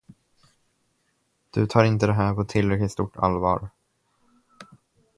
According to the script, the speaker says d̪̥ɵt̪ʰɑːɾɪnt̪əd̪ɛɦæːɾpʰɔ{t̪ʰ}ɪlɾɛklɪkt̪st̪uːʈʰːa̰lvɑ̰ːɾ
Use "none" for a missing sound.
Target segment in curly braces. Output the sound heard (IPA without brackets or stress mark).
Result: t̪ʰ